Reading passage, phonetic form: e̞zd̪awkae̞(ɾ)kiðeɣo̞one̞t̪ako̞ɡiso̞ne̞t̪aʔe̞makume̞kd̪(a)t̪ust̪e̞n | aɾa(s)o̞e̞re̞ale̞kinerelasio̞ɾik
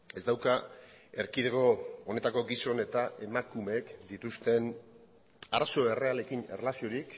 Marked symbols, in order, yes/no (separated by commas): yes, no, yes